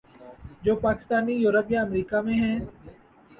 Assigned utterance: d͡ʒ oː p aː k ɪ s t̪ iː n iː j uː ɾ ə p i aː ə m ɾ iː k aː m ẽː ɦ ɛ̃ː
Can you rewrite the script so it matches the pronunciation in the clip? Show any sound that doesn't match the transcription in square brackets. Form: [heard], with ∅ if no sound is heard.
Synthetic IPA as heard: d͡ʒ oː p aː k ɪ s t̪ [aː] n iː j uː ɾ ə p [j] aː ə m ɾ iː k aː m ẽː ɦ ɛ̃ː